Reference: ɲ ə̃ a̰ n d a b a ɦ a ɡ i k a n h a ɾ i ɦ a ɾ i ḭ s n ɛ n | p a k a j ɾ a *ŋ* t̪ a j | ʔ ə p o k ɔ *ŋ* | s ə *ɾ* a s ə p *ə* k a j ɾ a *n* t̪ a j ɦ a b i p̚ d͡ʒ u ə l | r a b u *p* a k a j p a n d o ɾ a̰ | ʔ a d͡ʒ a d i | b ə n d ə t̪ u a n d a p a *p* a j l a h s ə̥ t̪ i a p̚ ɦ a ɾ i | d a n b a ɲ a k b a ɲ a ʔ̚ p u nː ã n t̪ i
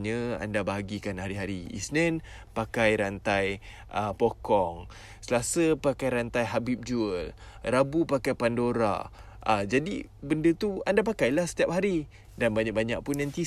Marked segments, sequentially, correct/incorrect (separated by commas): incorrect, correct, incorrect, incorrect, correct, correct, incorrect